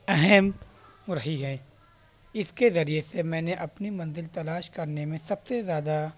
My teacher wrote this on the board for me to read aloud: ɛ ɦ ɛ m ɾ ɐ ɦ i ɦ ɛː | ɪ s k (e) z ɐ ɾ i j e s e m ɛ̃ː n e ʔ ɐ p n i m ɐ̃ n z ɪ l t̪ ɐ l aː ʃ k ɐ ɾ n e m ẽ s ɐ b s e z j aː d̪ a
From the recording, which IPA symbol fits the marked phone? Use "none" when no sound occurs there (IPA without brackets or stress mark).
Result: e